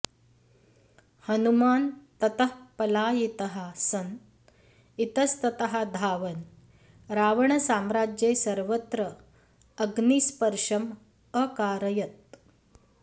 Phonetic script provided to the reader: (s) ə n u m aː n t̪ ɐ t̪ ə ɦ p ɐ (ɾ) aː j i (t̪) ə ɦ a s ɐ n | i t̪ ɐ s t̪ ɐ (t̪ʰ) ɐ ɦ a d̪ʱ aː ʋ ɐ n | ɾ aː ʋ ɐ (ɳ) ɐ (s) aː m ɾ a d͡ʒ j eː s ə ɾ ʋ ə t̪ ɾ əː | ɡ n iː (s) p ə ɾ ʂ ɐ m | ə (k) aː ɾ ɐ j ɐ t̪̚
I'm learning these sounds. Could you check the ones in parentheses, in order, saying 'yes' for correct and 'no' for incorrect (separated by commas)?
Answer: no, no, yes, no, yes, yes, yes, yes